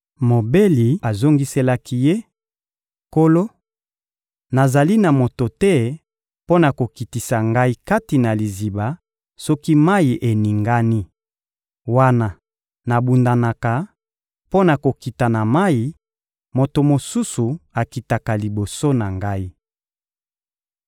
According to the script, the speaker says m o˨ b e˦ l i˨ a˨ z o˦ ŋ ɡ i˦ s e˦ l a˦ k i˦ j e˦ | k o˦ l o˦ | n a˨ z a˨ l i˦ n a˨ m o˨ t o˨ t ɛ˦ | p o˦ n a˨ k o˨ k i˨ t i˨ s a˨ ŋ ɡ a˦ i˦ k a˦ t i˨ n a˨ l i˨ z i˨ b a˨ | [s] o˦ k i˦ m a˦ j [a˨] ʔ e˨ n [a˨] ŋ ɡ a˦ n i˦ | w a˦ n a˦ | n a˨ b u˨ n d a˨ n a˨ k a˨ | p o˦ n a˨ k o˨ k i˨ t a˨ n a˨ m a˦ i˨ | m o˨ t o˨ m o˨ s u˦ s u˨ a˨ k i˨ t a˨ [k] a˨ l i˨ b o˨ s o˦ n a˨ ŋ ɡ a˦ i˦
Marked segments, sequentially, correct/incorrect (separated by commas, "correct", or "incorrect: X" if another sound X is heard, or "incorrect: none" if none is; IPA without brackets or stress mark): correct, incorrect: i˨, incorrect: i˨, correct